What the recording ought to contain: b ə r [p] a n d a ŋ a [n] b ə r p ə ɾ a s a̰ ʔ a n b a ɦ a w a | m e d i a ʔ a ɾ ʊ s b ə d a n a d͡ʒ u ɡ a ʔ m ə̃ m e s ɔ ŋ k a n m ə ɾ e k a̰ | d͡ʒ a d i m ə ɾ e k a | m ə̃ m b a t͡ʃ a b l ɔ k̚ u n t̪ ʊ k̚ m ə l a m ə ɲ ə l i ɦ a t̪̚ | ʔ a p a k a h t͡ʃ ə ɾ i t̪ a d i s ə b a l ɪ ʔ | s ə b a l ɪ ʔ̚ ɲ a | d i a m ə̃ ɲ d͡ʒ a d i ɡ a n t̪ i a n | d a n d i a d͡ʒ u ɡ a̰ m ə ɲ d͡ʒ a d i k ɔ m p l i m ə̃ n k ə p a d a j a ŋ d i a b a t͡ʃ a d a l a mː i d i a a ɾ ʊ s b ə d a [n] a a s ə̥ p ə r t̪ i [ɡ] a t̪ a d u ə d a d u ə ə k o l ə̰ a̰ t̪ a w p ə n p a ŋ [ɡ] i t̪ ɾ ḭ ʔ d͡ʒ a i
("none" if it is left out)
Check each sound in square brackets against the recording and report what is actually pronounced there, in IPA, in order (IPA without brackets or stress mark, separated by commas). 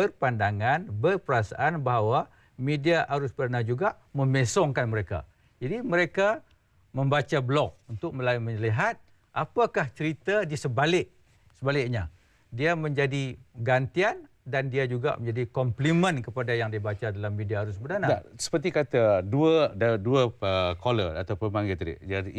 p, n, n, k, ɡ